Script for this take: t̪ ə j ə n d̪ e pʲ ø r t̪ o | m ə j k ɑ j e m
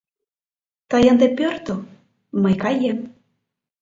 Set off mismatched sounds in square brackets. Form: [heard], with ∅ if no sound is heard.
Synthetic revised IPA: t̪ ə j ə n d̪ e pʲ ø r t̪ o | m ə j k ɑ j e m